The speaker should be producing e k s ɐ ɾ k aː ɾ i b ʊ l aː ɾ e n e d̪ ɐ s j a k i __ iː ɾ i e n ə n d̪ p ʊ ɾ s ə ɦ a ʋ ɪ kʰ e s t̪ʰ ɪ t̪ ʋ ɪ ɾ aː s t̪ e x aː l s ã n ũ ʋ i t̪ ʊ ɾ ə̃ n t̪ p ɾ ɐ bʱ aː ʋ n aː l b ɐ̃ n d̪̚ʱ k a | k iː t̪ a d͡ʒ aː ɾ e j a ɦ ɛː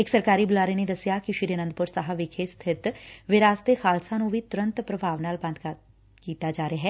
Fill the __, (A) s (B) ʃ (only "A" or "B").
B